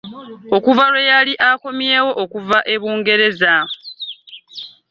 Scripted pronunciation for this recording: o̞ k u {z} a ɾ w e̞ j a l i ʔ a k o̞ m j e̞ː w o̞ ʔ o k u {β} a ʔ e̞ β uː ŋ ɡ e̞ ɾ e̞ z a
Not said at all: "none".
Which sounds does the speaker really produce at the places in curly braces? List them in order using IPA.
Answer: v, v

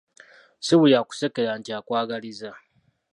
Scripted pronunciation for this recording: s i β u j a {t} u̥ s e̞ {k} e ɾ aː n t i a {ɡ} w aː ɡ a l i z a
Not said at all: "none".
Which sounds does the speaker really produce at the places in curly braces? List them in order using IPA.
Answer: k, k, k

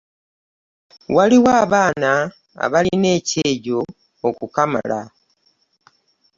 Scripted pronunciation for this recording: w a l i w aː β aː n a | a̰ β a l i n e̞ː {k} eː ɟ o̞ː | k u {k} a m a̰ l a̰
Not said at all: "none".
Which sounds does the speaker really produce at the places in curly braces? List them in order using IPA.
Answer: c, k

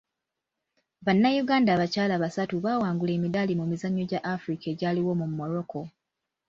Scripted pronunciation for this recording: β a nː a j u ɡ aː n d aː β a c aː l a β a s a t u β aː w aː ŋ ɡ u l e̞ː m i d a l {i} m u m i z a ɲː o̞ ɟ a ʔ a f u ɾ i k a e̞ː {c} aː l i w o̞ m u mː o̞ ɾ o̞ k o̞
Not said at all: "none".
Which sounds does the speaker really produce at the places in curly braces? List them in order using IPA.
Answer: i, ɟ

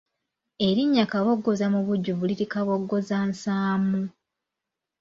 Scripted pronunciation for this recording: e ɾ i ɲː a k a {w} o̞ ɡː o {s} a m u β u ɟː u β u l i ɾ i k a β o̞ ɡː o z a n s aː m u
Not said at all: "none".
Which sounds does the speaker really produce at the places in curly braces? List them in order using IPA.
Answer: β, z

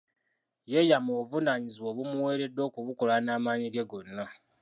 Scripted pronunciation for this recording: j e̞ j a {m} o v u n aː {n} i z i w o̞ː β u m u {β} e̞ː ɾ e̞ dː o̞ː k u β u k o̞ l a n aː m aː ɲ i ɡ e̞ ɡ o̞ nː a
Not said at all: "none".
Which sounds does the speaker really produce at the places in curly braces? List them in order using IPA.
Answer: m, ɲ, w

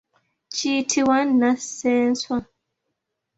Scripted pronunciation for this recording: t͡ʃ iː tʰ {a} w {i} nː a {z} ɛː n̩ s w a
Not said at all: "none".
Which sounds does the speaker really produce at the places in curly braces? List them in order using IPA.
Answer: i, a, s

